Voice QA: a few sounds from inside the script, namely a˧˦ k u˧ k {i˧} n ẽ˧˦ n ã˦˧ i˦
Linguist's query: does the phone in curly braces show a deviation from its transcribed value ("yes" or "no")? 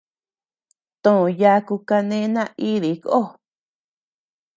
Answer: yes